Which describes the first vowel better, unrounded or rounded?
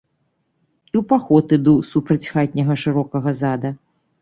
unrounded